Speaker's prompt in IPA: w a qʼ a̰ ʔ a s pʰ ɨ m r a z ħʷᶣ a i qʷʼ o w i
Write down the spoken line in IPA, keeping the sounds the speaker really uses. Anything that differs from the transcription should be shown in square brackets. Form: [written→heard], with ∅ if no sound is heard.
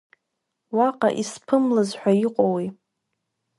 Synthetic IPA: w a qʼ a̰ ʔ [a→i] s pʰ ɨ m [r→l] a z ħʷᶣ a i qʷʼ o w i